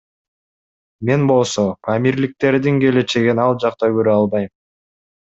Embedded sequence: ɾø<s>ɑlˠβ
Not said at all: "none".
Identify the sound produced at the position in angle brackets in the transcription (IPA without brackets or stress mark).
none